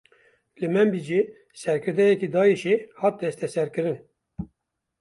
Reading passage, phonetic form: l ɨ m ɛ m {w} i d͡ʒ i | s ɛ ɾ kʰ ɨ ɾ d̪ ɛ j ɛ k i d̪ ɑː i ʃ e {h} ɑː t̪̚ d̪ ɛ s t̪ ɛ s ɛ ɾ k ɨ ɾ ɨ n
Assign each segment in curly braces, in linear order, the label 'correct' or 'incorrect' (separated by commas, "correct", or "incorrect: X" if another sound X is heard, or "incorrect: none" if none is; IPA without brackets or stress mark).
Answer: incorrect: b, correct